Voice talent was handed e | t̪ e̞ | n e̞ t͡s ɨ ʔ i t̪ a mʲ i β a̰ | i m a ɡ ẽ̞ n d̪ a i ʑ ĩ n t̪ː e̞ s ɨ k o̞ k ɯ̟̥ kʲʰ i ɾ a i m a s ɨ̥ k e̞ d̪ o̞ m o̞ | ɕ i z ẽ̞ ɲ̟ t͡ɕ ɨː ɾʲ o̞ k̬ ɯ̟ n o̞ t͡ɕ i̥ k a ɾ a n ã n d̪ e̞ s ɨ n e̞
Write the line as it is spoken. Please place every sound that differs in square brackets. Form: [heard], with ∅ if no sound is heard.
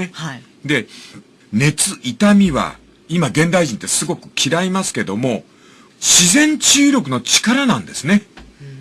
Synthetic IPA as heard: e | [d̪] e̞ | n e̞ t͡s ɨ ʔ i t̪ a mʲ i β a̰ | i m a ɡ ẽ̞ n d̪ a i ʑ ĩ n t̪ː e̞ s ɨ [ɡ] o̞ k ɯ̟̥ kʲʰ i ɾ a i m a s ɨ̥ k e̞ d̪ o̞ m o̞ | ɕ i z ẽ̞ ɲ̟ t͡ɕ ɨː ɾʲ o̞ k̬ ɯ̟ n o̞ t͡ɕ i̥ k a ɾ a n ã n d̪ e̞ s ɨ n e̞